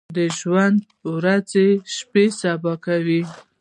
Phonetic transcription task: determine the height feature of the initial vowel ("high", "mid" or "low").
mid